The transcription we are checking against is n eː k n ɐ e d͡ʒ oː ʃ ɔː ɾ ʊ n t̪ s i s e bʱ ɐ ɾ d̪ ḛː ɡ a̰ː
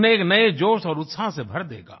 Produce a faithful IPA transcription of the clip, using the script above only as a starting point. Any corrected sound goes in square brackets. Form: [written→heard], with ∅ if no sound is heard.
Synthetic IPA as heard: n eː k n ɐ e d͡ʒ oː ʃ ɔː ɾ ʊ [n→∅] t̪ s [i→a] s e bʱ ɐ ɾ d̪ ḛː ɡ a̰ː

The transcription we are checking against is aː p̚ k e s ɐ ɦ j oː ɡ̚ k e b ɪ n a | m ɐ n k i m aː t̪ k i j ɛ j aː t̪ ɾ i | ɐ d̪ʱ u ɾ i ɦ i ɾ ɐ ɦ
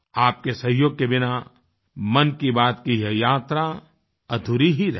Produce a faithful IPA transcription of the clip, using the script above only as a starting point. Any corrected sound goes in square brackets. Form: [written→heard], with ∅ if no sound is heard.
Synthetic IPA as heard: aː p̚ k e s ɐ ɦ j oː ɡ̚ k e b ɪ n a | m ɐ n k i [m→b] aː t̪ k i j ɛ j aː t̪ ɾ [i→a] | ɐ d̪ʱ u ɾ i ɦ i ɾ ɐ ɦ

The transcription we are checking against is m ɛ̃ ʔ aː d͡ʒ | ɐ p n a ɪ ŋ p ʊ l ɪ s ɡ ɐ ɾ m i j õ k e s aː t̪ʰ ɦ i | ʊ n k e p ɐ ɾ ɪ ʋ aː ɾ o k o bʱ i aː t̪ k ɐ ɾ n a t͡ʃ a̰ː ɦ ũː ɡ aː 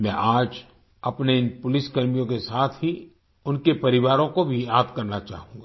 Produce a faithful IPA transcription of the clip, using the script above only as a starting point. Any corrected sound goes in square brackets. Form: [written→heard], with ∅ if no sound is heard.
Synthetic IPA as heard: m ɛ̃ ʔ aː d͡ʒ | ɐ p n [a→e] ɪ [ŋ→n] p ʊ l ɪ s [ɡ→k] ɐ ɾ m i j õ k e s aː t̪ʰ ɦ i | ʊ n k e p ɐ ɾ ɪ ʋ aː ɾ [o→õ] k o bʱ i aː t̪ k ɐ ɾ n a t͡ʃ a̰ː ɦ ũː ɡ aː

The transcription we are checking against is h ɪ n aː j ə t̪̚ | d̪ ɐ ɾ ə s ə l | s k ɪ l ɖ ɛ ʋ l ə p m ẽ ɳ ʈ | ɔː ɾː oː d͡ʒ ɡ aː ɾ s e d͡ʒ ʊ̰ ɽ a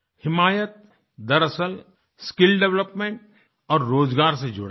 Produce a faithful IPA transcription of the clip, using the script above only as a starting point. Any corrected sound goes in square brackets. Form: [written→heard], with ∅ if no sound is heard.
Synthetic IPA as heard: h ɪ [n→m] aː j ə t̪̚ | d̪ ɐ ɾ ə s ə l | s k ɪ l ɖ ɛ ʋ l ə p m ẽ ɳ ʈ | ɔː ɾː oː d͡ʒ ɡ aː ɾ s e d͡ʒ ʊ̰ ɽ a

